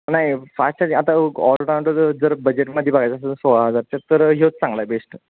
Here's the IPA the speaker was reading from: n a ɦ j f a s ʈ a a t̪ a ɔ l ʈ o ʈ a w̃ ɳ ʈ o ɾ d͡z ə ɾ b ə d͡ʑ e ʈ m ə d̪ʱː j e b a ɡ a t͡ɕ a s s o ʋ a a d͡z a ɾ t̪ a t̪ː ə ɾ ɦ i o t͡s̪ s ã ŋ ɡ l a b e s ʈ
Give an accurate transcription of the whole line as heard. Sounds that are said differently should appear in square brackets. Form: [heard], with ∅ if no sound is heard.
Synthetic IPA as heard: n a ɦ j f a s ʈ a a t̪ a ɔ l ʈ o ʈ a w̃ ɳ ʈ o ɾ d͡z ə ɾ b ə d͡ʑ e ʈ m ə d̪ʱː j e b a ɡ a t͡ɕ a s s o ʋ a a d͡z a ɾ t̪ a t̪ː ə ɾ ɦ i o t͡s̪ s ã ŋ ɡ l a b e s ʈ